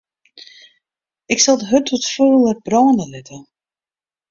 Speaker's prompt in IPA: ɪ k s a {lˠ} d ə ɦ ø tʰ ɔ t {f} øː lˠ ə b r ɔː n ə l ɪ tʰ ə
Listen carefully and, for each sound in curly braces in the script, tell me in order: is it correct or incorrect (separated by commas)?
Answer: correct, correct